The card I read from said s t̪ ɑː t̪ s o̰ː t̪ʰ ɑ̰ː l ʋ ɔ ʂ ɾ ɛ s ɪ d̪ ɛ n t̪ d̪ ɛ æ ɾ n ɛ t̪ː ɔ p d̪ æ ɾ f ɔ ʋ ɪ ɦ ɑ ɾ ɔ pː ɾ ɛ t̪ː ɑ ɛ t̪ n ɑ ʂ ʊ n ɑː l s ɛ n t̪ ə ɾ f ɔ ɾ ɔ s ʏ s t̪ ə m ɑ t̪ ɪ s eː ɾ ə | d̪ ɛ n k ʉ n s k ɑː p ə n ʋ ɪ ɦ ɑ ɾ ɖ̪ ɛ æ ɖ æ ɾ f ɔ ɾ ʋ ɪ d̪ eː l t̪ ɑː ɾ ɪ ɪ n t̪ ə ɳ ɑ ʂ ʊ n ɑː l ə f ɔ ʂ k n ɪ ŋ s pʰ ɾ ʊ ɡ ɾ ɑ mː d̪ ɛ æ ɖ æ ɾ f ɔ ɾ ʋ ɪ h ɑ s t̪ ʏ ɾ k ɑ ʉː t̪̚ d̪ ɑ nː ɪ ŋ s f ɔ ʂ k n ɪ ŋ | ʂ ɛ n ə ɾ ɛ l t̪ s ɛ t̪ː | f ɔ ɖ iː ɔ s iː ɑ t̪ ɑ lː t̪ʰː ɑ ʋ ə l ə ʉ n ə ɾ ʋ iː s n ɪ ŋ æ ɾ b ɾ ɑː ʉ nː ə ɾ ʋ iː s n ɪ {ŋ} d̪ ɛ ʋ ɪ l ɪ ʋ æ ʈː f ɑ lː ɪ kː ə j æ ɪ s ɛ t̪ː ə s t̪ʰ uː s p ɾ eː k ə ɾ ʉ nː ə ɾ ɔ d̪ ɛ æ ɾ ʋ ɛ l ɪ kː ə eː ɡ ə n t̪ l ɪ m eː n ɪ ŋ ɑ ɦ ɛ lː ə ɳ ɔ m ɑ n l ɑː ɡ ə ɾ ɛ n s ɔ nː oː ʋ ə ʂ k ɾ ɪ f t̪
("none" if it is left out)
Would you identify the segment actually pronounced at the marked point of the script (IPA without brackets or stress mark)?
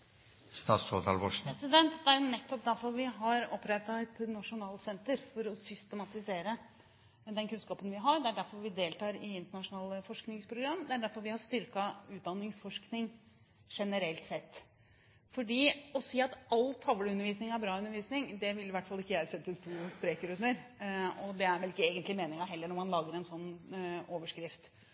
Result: ŋ